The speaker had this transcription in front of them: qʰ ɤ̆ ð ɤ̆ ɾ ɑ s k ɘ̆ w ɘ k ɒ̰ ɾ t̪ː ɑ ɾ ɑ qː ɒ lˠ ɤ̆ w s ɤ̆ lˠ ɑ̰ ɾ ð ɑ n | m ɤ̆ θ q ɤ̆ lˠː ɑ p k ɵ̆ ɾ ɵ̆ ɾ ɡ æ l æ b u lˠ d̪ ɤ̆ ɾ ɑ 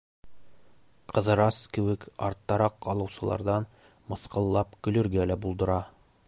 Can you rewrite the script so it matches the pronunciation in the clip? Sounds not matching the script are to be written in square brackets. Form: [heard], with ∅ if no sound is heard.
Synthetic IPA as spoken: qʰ ɤ̆ ð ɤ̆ ɾ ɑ s k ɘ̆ w ɘ k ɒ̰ ɾ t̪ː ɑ ɾ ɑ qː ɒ lˠ ɤ̆ w s ɤ̆ lˠ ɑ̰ ɾ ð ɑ n | m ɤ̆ θ q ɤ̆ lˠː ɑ p k ɵ̆ [l] ɵ̆ ɾ ɡ æ l æ b u lˠ d̪ ɤ̆ ɾ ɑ